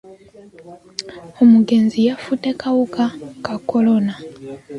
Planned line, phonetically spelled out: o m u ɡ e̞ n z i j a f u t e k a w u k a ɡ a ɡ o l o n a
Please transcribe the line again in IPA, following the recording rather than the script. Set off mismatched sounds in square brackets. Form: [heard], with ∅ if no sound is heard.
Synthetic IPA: o m u ɡ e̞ n z i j a f u t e k a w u k a [k] a [k] o l o n a